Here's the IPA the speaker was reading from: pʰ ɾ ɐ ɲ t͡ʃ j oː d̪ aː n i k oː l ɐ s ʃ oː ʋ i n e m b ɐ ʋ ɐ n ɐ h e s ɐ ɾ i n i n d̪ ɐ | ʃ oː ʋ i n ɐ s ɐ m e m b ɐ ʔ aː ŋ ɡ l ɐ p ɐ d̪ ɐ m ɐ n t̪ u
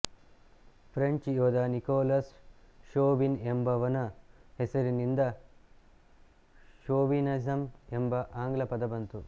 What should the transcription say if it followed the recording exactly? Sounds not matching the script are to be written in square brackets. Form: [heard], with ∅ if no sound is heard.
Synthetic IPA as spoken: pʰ ɾ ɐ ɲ t͡ʃ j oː d̪ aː n i k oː l ɐ s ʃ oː ʋ i n e m b ɐ ʋ ɐ n ɐ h e s ɐ ɾ i n i n d̪ ɐ | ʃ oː ʋ i n ɐ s ɐ m e m b ɐ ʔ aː ŋ ɡ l ɐ p ɐ d̪ ɐ [b] ɐ n t̪ u